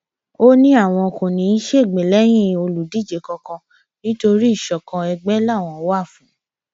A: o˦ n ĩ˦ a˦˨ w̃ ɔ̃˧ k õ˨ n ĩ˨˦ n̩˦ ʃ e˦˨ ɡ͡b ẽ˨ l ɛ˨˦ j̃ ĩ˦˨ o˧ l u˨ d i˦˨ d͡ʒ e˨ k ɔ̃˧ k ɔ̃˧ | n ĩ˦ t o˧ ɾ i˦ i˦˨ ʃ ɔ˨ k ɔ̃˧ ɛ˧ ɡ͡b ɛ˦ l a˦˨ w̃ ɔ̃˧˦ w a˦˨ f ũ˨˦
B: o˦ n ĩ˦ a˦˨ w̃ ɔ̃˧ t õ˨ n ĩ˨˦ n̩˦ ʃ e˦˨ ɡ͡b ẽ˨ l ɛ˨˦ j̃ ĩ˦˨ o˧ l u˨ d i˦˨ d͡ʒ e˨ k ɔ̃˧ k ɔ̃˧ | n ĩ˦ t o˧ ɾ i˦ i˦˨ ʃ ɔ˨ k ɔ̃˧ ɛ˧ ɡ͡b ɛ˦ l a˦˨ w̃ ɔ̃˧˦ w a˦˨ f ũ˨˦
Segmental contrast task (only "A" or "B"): A